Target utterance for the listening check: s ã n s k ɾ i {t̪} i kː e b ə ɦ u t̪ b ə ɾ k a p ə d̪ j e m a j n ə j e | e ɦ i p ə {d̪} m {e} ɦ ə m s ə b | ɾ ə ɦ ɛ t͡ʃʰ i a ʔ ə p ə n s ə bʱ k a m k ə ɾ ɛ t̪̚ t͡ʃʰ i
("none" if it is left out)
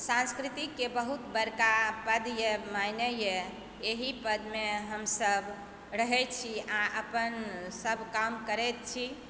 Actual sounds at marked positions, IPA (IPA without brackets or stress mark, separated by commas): t̪, d̪, e